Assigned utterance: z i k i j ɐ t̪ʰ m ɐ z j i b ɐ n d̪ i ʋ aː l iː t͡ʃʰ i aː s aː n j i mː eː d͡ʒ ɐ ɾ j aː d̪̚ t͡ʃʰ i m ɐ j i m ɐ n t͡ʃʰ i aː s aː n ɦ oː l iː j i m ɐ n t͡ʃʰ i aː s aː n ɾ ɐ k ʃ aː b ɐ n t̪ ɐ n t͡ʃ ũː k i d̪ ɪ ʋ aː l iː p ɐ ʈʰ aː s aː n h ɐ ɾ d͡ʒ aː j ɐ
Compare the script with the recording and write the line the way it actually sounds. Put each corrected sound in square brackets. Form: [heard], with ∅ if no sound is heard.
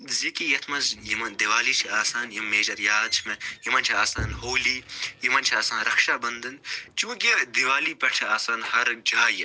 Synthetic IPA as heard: z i k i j ɐ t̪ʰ m ɐ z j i [m] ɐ n d̪ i ʋ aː l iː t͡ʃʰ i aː s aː n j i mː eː d͡ʒ ɐ ɾ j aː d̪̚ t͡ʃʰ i m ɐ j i m ɐ n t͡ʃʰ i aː s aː n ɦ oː l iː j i m ɐ n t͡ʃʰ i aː s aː n ɾ ɐ k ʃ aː b ɐ n [d̪] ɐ n t͡ʃ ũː k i d̪ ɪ ʋ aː l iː p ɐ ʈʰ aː s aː n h ɐ ɾ d͡ʒ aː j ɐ